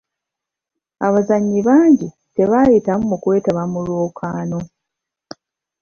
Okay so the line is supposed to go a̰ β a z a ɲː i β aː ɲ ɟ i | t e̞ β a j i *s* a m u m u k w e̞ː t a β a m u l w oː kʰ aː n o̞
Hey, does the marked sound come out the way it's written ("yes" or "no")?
no